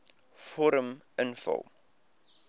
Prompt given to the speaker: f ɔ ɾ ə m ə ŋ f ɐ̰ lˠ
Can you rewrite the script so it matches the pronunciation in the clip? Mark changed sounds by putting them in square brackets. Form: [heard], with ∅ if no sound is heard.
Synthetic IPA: f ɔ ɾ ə m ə [n] f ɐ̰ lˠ